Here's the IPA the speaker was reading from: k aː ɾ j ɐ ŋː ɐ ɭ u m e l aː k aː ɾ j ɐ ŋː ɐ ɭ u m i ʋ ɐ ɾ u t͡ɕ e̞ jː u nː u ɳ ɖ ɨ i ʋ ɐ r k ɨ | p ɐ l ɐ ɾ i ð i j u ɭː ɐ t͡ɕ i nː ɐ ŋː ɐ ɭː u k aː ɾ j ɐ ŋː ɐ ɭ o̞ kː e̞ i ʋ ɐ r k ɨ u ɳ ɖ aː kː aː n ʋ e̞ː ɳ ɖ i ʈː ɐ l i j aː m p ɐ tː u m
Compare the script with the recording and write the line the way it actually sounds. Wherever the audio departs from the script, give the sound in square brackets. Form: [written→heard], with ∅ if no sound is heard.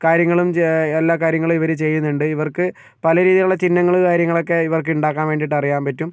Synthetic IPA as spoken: k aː ɾ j ɐ ŋː ɐ ɭ u m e [l→lː] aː k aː ɾ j ɐ ŋː ɐ ɭ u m i ʋ ɐ ɾ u t͡ɕ e̞ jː u nː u ɳ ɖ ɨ i ʋ ɐ r k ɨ | p ɐ l ɐ ɾ [i→iː] ð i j u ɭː ɐ t͡ɕ i nː ɐ ŋː ɐ [ɭː→ɭ] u k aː ɾ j ɐ ŋː ɐ ɭ o̞ kː e̞ i ʋ ɐ r k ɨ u ɳ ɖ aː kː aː n ʋ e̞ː ɳ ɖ i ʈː ɐ [l→r] i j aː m p ɐ tː u m